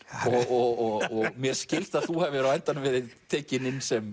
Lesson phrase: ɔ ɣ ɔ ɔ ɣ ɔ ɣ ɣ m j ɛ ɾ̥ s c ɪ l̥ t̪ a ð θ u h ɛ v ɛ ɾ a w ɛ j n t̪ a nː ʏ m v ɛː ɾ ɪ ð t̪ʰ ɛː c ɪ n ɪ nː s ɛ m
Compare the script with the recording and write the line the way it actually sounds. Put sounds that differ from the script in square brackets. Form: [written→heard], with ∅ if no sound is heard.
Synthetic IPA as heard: ɔ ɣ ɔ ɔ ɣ ɔ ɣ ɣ m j ɛ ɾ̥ s c ɪ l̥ t̪ a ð θ u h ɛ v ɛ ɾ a w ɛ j n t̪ a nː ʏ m v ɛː ɾ ɪ ð t̪ʰ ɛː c ɪ n ɪ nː s ɛ m